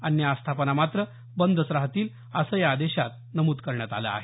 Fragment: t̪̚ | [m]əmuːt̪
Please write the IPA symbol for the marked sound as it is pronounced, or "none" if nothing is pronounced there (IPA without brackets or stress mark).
n